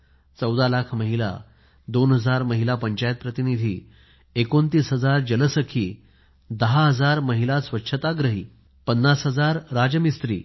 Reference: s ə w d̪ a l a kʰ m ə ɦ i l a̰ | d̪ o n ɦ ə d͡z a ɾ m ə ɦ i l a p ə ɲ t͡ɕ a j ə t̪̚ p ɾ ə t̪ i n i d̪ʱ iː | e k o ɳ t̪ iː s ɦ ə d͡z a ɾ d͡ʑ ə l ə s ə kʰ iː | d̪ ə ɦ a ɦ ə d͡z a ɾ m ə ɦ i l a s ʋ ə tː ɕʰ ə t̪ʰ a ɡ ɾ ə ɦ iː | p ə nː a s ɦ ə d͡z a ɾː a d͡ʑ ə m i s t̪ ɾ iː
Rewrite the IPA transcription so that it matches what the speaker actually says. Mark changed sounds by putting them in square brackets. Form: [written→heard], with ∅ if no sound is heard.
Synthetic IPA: [s→t͡s] ə w d̪ a l a kʰ m ə ɦ i l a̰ | d̪ o n ɦ ə d͡z a ɾ m ə ɦ i l a p ə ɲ t͡ɕ a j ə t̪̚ p ɾ ə t̪ i n i d̪ʱ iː | e k o [ɳ→n] t̪ iː s ɦ ə d͡z a ɾ d͡ʑ ə l ə s ə kʰ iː | d̪ ə ɦ a ɦ ə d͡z a ɾ m ə ɦ i l a s ʋ ə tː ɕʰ ə [t̪ʰ→t̪] a ɡ ɾ ə ɦ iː | p ə nː a s ɦ ə d͡z a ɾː a d͡ʑ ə m i s t̪ ɾ iː

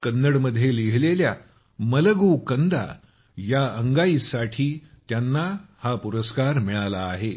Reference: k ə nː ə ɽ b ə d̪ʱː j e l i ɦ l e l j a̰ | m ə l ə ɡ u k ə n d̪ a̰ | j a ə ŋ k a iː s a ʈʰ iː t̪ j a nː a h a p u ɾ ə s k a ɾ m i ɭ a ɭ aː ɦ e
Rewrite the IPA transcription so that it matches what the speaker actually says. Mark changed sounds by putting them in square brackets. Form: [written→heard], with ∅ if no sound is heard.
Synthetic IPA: k ə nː ə ɽ [b→m] ə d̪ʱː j e l i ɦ l e l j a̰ | m ə l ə ɡ u k ə n d̪ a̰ | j a ə ŋ [k→ɡ] a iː s a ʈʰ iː t̪ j a nː a h a p u ɾ ə s k a ɾ m i ɭ a [ɭ→l] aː ɦ e

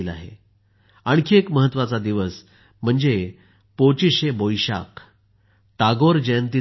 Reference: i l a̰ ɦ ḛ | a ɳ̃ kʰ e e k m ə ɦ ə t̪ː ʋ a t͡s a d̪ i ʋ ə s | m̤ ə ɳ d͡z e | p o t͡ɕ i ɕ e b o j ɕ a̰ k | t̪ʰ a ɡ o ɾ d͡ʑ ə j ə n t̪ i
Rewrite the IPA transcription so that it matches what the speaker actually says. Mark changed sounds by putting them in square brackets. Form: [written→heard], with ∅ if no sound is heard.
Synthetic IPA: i l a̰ ɦ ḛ | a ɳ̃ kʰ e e k m ə ɦ ə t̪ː ʋ a t͡s a d̪ i ʋ ə s | m̤ ə ɳ d͡z e | p o t͡ɕ i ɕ e b o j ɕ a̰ k | [t̪ʰ→t̪] a ɡ o ɾ d͡ʑ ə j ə n t̪ i

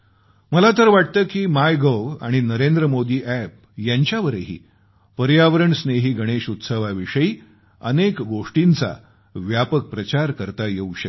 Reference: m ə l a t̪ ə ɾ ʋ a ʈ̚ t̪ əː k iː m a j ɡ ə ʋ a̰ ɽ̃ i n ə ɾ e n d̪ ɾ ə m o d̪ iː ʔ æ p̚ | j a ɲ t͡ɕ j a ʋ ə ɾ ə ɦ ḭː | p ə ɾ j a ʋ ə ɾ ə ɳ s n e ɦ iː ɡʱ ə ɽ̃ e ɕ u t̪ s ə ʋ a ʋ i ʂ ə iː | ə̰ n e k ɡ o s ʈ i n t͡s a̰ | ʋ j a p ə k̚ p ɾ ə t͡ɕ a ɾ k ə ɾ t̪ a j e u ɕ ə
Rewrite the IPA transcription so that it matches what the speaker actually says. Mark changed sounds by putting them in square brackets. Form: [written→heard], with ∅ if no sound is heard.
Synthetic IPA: m ə l a t̪ ə ɾ ʋ a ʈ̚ t̪ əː k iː m a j ɡ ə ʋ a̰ ɽ̃ i n ə ɾ e n d̪ ɾ ə m o d̪ iː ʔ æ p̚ | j a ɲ t͡ɕ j a ʋ ə ɾ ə ɦ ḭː | p ə ɾ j a ʋ ə ɾ ə ɳ s n e ɦ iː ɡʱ ə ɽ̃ e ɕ u t̪ s ə ʋ a ʋ i ʂ ə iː | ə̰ n e k ɡ o [s→ʂ] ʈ i n t͡s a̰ | ʋ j a p ə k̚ p ɾ ə t͡ɕ a ɾ k ə ɾ t̪ a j e u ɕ ə

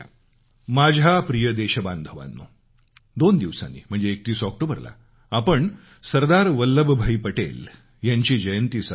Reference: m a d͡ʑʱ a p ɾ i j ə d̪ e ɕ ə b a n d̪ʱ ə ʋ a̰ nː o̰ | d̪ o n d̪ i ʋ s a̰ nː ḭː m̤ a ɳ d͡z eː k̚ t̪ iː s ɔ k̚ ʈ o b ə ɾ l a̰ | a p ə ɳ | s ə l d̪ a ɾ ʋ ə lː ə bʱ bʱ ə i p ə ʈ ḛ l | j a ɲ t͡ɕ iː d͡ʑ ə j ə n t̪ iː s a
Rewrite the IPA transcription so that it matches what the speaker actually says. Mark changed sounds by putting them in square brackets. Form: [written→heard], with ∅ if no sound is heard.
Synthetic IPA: m a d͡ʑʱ a p ɾ i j ə d̪ e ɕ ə b a n d̪ʱ ə ʋ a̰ nː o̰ | d̪ o n d̪ i ʋ s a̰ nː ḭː m̤ [a→ə] ɳ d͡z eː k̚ t̪ iː s ɔ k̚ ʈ o b ə ɾ l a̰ | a p ə ɳ | s ə [l→ɾ] d̪ a ɾ ʋ ə lː ə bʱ bʱ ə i p ə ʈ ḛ l | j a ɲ t͡ɕ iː d͡ʑ ə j ə n t̪ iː s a

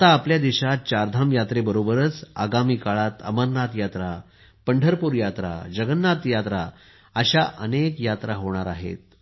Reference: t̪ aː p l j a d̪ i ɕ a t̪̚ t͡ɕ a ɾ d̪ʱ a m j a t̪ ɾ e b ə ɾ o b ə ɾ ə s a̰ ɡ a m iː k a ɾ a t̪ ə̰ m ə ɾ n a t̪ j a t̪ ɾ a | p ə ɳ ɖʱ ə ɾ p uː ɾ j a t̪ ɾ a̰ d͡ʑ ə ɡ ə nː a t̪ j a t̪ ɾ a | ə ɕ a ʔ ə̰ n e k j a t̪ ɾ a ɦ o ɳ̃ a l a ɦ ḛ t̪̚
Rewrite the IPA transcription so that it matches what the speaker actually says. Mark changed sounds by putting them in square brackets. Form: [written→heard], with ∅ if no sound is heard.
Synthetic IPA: t̪ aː p l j a d̪ i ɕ a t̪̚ t͡ɕ a ɾ d̪ʱ a m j a t̪ ɾ e b ə ɾ o b ə ɾ ə [s→t͡s] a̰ ɡ a m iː k a [ɾ→ɭ] a t̪ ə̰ m ə ɾ n a t̪ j a t̪ ɾ a | p ə ɳ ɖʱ ə ɾ p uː ɾ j a t̪ ɾ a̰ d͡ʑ ə ɡ ə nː a t̪ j a t̪ ɾ a | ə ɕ a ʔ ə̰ n e k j a t̪ ɾ a ɦ o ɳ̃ a [l→ɾ] a ɦ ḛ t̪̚

